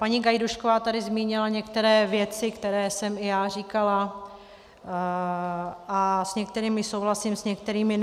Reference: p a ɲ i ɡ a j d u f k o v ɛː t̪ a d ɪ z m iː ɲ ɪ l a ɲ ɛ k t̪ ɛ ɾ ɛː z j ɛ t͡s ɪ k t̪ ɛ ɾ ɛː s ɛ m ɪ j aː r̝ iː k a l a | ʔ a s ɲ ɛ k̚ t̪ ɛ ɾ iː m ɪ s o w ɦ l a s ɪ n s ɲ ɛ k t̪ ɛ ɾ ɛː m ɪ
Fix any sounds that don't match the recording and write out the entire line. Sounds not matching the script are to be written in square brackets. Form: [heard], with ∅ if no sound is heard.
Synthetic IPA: p a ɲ i ɡ a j d u [ʃ] k o v [aː] t̪ a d ɪ z m iː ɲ ɪ l a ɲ ɛ k t̪ ɛ ɾ ɛː [v] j ɛ t͡s ɪ k t̪ ɛ ɾ ɛː s ɛ m ɪ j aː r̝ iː k a l a | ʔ a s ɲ ɛ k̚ t̪ ɛ ɾ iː m ɪ s o w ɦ l a s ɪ [m] s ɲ ɛ k t̪ ɛ ɾ [iː] m ɪ